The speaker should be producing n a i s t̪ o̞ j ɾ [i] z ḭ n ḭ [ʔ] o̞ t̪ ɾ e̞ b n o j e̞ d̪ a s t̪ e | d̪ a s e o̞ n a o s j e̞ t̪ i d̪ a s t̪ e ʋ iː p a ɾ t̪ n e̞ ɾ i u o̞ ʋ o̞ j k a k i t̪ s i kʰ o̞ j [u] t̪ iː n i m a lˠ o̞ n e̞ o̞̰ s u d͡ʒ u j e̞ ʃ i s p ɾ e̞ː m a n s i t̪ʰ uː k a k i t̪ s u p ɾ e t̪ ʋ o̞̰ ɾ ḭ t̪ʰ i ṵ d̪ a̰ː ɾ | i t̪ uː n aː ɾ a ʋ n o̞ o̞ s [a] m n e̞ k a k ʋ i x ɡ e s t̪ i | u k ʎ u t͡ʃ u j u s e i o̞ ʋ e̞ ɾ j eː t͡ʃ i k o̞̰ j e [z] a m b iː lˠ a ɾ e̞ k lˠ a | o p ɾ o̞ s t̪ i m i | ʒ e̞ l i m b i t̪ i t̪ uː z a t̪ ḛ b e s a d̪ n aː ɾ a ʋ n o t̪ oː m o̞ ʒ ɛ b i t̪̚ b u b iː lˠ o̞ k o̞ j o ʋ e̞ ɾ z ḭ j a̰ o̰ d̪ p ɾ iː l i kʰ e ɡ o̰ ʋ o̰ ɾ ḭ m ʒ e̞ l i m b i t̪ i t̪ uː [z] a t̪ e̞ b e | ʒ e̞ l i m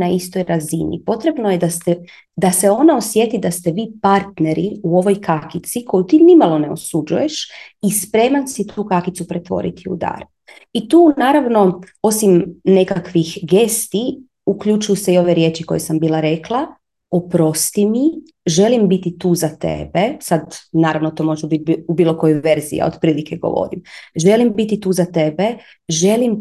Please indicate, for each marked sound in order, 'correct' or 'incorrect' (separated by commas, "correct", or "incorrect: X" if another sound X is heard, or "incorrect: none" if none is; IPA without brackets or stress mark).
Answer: incorrect: a, incorrect: p, correct, incorrect: i, incorrect: s, correct